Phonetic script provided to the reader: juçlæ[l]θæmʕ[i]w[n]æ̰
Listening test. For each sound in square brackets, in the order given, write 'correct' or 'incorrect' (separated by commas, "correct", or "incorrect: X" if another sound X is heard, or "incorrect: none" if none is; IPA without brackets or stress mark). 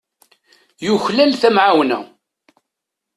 correct, incorrect: a, correct